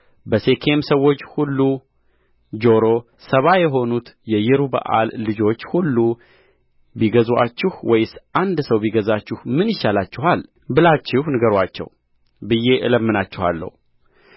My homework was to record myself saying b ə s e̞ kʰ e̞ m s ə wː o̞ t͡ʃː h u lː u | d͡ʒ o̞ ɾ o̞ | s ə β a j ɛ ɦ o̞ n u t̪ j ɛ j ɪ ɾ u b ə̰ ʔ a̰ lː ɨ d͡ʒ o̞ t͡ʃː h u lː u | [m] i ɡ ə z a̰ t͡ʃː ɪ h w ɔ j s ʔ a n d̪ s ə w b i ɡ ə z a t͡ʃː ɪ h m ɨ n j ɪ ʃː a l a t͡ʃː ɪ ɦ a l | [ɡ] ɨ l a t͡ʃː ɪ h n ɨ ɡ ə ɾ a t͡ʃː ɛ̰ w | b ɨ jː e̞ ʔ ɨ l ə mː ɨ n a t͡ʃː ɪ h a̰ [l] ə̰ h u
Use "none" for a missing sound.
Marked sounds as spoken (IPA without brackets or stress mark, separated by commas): b, b, lː